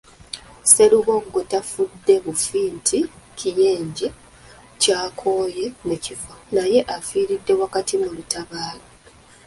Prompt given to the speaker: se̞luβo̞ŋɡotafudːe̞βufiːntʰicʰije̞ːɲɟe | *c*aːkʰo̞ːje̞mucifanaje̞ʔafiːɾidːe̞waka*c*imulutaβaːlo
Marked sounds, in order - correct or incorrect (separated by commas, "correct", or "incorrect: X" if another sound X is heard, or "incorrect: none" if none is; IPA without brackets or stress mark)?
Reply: correct, incorrect: t